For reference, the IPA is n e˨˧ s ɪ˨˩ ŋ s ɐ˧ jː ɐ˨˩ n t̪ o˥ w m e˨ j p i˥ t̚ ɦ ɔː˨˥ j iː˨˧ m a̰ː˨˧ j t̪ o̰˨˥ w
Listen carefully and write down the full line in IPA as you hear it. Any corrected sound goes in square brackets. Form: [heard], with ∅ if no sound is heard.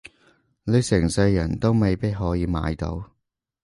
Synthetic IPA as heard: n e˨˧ s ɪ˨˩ ŋ s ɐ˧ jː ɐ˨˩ n t̪ o˥ w m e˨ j p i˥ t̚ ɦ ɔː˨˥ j iː˨˧ m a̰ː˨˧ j t̪ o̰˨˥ w